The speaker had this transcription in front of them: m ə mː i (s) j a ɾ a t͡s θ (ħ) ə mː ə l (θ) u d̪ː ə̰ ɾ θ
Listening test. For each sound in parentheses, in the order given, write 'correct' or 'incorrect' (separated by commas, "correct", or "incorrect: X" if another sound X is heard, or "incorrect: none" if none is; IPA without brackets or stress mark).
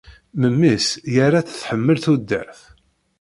correct, correct, correct